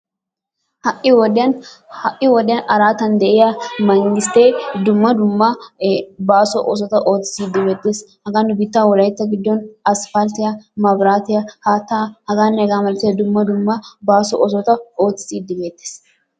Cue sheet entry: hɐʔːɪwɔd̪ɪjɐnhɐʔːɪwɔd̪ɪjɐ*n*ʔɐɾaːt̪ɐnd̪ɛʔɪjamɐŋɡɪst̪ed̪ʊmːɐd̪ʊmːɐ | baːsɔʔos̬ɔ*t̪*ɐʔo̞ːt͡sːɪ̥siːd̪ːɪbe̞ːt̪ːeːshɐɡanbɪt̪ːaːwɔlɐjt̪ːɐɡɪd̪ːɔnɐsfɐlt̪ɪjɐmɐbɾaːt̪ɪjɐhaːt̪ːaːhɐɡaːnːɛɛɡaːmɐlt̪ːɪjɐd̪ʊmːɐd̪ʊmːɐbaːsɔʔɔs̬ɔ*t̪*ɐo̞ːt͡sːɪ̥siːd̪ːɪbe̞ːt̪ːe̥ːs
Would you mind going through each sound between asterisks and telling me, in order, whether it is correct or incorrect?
correct, correct, correct

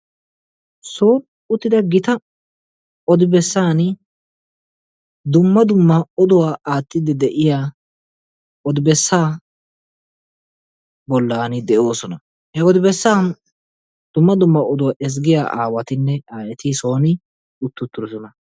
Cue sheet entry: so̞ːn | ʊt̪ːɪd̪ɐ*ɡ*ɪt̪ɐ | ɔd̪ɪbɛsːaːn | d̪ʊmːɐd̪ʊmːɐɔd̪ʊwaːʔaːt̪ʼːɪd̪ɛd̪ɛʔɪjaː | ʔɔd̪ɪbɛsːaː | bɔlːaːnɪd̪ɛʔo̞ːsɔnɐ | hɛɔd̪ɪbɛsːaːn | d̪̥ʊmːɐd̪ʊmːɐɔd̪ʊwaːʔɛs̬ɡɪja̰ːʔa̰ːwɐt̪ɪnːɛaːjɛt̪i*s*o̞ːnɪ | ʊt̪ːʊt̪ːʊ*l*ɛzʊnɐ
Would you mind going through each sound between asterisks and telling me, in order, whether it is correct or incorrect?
correct, correct, incorrect: ɾ

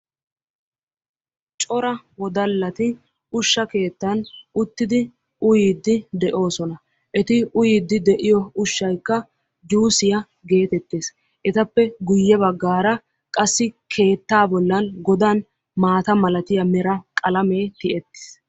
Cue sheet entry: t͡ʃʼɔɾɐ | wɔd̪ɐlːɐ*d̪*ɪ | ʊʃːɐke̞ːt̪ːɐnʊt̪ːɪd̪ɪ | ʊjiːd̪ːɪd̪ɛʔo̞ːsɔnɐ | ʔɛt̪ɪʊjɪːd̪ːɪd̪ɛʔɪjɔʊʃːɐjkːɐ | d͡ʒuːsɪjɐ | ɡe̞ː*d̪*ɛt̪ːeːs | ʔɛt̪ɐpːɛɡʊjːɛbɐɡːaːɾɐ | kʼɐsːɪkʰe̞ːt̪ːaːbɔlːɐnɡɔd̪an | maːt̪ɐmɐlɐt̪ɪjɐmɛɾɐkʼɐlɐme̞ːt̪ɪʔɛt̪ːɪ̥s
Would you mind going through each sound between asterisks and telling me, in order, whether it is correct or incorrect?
incorrect: t̪, incorrect: t̪

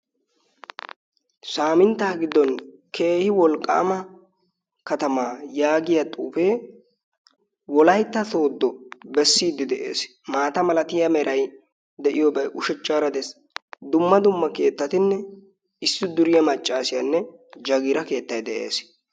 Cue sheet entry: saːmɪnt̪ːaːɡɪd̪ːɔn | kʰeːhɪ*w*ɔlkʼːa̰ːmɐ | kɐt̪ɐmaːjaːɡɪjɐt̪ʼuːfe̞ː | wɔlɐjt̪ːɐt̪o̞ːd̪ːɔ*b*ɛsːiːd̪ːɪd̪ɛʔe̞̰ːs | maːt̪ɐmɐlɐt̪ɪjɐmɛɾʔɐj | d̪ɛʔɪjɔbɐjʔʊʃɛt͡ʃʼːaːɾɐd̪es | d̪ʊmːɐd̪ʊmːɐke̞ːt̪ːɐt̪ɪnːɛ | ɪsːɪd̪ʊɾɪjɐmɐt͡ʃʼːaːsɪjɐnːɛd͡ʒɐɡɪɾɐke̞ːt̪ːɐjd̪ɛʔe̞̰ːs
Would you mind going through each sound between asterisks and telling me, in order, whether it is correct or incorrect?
correct, correct

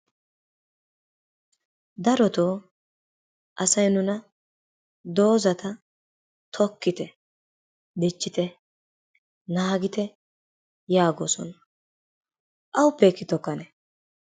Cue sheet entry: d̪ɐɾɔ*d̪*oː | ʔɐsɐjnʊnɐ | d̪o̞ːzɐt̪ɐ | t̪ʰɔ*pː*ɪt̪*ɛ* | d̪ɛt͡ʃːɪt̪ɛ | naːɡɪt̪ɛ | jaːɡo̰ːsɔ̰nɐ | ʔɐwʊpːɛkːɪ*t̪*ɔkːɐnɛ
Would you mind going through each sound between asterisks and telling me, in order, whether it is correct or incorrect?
incorrect: t̪, incorrect: kː, correct, correct

